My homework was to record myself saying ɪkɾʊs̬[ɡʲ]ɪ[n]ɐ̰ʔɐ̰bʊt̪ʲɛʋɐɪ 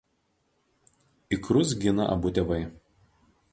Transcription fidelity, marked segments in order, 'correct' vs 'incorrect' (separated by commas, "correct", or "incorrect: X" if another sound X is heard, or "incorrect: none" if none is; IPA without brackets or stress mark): correct, correct